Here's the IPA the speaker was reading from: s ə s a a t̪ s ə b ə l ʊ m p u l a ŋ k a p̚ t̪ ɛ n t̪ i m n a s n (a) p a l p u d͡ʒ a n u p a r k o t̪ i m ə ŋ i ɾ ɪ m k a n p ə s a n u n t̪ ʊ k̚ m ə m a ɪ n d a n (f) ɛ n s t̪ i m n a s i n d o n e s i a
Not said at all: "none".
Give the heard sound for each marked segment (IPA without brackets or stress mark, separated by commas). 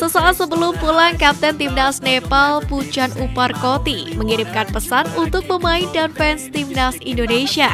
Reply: e, f